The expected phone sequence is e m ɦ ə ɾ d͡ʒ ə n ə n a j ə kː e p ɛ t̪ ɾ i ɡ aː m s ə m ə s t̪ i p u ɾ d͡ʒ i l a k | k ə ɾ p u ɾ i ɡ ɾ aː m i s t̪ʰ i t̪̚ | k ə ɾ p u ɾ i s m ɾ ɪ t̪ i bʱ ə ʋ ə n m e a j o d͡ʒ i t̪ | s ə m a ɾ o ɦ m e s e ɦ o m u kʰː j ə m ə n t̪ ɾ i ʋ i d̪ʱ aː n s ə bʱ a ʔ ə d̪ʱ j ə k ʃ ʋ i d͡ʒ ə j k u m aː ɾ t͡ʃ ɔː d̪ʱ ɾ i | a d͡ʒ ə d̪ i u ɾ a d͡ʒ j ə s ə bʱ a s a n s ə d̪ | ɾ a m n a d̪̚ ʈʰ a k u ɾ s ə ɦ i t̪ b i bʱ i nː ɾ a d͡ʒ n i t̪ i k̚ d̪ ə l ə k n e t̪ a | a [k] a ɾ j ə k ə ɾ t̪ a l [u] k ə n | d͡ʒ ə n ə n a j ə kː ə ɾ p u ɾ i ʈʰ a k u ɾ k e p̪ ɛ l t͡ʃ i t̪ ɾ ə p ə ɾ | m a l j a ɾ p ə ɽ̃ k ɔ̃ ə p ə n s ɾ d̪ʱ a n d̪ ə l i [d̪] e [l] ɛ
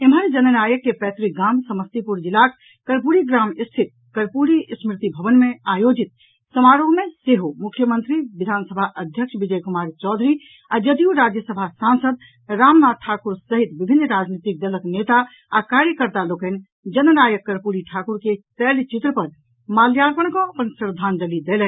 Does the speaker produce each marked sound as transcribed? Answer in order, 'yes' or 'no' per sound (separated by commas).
yes, no, yes, yes